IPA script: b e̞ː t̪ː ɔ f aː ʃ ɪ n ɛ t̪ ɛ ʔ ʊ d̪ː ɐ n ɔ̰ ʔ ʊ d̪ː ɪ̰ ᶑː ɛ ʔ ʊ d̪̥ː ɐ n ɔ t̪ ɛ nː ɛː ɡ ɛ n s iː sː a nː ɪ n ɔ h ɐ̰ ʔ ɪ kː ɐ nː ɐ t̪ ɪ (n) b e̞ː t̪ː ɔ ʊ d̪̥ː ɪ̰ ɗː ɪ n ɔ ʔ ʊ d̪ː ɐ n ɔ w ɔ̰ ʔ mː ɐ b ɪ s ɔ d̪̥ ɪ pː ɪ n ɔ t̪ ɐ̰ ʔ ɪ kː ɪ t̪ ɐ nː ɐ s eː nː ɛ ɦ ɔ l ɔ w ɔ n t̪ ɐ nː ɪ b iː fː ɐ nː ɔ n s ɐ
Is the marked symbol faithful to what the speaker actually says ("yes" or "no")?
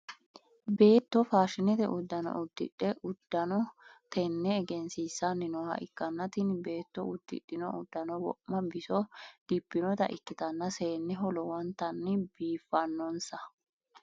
yes